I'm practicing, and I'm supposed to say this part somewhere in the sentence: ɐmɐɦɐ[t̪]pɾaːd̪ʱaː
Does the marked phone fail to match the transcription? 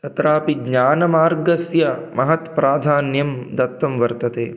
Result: no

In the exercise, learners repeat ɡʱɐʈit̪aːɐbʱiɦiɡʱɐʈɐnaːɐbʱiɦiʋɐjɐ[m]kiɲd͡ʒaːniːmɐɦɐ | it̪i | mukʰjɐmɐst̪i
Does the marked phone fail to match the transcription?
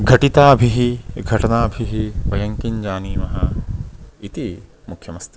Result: yes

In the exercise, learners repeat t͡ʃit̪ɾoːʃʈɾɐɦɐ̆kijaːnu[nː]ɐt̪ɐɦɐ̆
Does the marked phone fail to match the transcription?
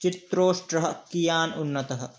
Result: no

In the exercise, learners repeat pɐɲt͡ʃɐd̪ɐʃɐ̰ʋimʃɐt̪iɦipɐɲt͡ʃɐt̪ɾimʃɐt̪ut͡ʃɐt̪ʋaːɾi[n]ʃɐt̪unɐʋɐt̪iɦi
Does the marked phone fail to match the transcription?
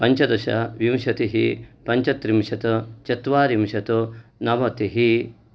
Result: yes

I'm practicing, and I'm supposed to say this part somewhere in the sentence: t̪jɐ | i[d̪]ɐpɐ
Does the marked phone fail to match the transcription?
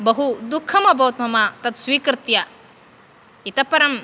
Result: yes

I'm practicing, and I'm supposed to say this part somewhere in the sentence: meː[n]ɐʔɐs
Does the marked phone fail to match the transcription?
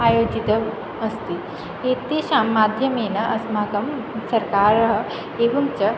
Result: no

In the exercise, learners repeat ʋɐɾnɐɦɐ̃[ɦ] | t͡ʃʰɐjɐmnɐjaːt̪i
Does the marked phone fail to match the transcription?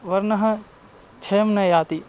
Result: yes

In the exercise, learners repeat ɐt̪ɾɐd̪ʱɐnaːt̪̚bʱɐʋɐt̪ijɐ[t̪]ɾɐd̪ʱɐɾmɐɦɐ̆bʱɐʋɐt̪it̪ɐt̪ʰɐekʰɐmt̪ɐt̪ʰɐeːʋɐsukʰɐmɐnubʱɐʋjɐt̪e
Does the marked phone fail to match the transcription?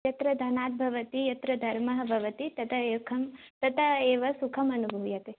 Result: no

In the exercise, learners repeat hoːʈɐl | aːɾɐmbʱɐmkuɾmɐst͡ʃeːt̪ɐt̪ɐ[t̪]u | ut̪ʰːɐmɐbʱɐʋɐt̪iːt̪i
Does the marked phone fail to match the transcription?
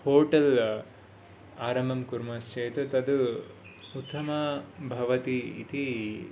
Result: yes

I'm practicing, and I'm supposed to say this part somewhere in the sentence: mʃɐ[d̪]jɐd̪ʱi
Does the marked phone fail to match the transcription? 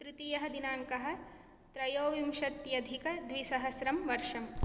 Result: yes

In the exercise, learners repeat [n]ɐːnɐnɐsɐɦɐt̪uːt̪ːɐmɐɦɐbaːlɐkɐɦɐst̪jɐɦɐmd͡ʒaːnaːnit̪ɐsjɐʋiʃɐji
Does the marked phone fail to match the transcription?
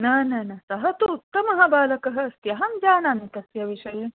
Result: no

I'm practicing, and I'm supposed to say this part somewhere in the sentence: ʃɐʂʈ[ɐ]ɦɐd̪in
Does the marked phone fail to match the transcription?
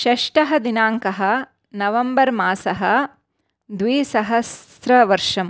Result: no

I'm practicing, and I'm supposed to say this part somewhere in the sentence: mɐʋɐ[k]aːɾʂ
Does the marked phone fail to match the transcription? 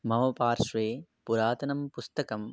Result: yes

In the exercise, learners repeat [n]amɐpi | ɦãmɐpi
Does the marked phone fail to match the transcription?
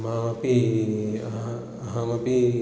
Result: yes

